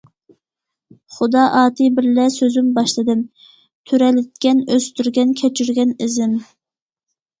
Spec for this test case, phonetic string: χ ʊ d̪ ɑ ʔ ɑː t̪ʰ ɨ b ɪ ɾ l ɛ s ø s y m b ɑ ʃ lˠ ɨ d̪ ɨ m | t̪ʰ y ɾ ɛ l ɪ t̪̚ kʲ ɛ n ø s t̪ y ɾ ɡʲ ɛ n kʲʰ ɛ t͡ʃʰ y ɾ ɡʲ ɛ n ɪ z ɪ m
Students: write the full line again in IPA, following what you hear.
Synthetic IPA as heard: χ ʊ d̪ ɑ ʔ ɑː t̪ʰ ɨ b ɪ ɾ l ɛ s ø z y m b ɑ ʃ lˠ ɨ d̪ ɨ m | t̪ʰ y ɾ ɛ l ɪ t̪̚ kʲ ɛ n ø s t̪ y ɾ ɡʲ ɛ n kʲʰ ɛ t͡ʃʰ y ɾ ɡʲ ɛ n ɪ z ɪ m

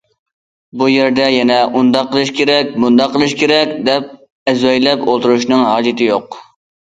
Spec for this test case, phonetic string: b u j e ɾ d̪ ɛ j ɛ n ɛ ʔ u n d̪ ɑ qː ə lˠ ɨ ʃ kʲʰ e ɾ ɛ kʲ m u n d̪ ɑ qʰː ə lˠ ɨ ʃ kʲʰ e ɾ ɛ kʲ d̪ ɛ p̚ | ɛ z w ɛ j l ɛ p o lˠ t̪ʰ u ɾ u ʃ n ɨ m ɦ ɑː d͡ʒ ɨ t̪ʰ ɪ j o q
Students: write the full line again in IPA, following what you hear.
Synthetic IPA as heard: b u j e ɾ d̪ ɛ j ɛ n ɛ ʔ u n d̪ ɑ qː ə lˠ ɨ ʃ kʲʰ e ɾ ɛ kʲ m u n d̪ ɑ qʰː ə lˠ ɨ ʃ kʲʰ e ɾ ɛ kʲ d̪ ɛ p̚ | ɛ z w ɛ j l ɛ p o lˠ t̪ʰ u ɾ u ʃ n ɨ ŋ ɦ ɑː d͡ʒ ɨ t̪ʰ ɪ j o q

